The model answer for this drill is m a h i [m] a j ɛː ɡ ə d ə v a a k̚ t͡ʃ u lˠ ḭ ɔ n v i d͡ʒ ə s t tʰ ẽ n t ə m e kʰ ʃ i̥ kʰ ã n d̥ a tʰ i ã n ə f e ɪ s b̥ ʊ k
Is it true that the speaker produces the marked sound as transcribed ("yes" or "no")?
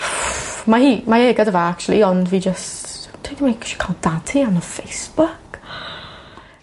yes